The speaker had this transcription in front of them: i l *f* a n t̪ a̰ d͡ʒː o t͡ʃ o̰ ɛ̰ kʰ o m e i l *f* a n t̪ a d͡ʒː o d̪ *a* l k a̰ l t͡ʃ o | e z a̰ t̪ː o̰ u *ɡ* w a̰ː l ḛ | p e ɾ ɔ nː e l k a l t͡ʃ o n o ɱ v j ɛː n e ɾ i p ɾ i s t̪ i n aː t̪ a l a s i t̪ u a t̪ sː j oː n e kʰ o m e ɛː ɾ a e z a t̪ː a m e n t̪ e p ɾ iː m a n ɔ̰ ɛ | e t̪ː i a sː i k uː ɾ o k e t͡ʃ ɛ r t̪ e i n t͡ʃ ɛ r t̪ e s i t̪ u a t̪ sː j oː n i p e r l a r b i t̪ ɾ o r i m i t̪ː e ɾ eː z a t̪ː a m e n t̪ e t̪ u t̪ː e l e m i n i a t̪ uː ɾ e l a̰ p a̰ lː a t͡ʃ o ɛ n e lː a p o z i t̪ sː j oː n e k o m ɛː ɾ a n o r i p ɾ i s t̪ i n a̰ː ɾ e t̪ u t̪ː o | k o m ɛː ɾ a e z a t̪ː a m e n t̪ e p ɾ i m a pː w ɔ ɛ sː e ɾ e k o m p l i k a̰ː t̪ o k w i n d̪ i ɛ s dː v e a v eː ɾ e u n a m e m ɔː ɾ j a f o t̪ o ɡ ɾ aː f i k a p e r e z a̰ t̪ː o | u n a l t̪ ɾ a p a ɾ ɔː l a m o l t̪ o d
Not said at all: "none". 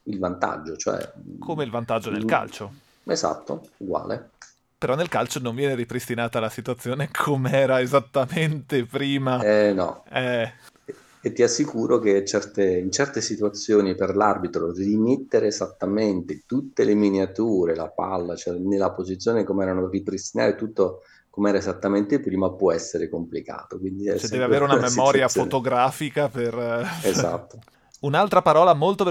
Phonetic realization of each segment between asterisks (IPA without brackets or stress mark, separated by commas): v, v, e, ɡ